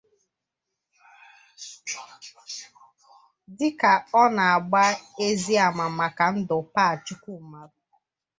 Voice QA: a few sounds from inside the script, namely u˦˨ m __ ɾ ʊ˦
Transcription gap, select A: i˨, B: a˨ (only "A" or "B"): B